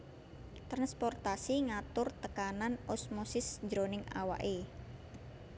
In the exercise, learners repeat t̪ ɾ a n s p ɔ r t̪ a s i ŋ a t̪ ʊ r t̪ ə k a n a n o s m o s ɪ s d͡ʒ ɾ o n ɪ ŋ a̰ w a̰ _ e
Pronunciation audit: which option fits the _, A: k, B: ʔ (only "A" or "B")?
B